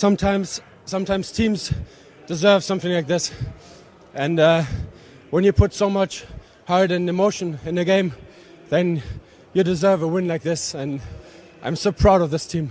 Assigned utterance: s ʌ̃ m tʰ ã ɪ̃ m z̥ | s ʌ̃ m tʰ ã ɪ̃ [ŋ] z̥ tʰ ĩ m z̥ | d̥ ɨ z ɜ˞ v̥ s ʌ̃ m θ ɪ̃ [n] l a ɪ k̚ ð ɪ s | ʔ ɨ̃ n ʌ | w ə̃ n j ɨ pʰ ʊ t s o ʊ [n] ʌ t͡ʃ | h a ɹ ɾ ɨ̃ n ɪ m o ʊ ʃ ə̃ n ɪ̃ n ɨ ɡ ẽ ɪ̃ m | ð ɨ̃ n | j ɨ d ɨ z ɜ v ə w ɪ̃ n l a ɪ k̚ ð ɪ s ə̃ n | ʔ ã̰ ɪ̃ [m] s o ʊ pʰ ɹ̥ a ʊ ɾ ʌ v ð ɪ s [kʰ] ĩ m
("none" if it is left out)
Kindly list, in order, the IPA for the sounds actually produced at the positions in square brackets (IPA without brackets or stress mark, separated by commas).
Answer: m, ŋ, m, m, tʰ